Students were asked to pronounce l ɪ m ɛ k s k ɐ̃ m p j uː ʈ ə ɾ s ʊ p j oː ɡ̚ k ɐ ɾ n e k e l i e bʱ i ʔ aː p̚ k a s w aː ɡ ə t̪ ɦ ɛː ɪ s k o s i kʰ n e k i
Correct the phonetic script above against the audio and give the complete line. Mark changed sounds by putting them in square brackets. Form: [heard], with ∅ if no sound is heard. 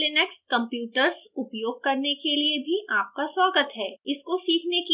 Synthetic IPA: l ɪ [n] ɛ k s k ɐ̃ m p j uː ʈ ə ɾ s ʊ p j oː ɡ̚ k ɐ ɾ n e k e l i e bʱ i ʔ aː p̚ k a s w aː ɡ ə t̪ ɦ ɛː ɪ s k o s [iː] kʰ n e k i